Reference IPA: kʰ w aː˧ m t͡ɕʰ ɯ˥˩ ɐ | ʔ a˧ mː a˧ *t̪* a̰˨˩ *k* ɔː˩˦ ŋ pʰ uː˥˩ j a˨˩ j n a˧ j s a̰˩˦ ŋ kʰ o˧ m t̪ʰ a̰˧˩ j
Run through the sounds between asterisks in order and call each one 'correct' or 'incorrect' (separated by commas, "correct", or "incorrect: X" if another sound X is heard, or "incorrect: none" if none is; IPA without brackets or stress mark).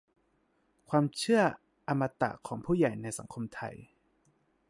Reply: correct, incorrect: kʰ